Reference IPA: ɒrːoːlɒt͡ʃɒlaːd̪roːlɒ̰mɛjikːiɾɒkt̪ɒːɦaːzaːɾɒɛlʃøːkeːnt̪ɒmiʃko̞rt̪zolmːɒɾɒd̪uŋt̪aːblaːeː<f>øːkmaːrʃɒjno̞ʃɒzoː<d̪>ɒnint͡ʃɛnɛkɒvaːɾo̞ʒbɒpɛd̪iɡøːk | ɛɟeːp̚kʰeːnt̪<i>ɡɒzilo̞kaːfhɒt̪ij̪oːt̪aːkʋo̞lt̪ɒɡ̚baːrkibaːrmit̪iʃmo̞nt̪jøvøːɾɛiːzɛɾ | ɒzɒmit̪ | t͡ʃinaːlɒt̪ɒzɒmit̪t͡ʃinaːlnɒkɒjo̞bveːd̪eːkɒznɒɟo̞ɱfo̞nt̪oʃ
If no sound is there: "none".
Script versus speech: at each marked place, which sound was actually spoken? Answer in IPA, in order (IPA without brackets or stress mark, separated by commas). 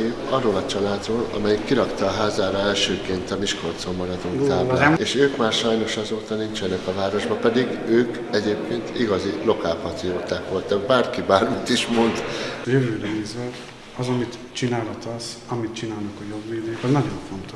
ʃ, t̪, i